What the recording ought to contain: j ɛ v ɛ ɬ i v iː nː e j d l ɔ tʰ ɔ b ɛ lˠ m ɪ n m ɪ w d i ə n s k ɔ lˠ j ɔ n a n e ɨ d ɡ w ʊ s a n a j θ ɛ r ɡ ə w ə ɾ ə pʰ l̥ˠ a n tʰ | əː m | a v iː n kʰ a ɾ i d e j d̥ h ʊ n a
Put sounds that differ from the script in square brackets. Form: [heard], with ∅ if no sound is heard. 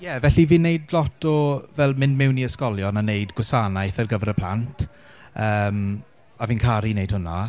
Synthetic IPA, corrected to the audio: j ɛ v ɛ ɬ i v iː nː e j d l ɔ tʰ ɔ [v] ɛ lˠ m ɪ n m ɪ w [n] i ə [∅] s k ɔ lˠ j ɔ n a n e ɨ d ɡ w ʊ s a n a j θ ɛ r ɡ ə [v] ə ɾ ə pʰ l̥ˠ a n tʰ | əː m | a v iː n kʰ a ɾ i [n] e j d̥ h ʊ n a